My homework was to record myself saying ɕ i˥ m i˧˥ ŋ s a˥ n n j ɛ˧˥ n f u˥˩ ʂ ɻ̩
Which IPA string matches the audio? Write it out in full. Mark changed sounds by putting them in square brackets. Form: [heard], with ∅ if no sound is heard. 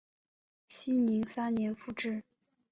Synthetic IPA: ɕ i˥ [n] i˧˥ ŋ s a˥ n n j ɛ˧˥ n f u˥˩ [ʈ͡ʂ] ɻ̩